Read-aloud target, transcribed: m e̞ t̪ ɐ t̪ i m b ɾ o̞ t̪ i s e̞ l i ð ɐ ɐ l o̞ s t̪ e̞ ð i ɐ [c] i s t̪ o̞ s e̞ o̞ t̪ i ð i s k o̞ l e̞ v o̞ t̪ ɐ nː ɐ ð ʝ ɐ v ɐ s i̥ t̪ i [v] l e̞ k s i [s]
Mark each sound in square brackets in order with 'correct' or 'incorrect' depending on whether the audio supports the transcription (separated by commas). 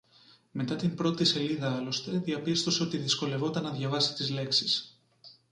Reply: incorrect, incorrect, correct